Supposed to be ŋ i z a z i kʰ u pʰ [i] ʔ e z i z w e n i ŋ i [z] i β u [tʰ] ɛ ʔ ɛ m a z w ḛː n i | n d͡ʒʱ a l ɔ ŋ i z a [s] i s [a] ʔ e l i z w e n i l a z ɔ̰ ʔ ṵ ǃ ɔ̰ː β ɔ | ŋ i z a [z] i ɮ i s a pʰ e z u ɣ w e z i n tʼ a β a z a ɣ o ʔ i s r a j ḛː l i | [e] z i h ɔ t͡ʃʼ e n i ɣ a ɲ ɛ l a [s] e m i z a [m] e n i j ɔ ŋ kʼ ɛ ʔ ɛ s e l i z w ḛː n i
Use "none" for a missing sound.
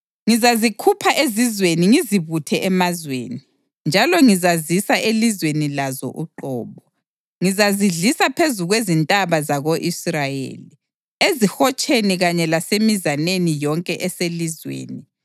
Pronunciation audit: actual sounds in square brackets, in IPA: a, z, tʰ, z, a, z, e, s, n

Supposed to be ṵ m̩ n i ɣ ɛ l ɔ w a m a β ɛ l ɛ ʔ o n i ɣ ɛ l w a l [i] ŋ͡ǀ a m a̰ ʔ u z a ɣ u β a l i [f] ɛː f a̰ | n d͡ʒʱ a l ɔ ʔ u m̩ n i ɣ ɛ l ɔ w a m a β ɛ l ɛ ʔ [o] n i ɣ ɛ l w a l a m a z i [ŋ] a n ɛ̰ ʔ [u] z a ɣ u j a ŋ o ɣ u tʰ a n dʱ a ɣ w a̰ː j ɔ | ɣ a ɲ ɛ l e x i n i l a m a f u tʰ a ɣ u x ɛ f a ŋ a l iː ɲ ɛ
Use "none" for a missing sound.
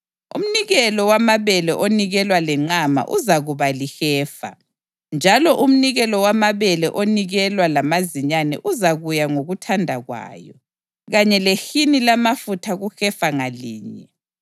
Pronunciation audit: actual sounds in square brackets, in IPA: ɛ, x, o, ɲ, u

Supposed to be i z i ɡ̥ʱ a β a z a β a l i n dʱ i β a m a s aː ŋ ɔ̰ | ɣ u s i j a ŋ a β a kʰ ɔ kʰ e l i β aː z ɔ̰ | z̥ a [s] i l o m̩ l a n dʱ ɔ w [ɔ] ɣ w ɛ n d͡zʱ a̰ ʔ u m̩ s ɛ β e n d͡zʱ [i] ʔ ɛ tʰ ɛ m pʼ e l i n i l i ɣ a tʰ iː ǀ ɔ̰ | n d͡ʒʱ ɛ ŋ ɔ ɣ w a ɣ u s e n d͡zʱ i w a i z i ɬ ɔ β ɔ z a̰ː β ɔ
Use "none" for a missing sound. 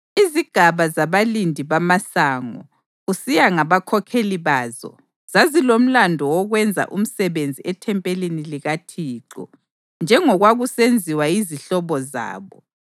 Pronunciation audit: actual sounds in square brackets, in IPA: z, ɔ, i

